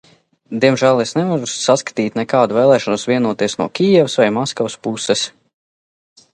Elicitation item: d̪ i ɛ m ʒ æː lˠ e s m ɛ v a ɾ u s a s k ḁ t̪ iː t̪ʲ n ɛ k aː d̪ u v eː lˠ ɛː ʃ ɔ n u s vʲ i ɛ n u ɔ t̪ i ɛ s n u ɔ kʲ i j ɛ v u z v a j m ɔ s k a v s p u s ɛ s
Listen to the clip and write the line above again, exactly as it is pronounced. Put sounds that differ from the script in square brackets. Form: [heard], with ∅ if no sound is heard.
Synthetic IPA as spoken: d̪ i ɛ m ʒ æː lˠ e s [n] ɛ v a ɾ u s a s k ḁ t̪ iː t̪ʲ n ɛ k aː d̪ u v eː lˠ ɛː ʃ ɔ n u s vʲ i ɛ n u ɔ t̪ i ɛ s n u ɔ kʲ i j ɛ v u [s] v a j m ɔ s k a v s p u s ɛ s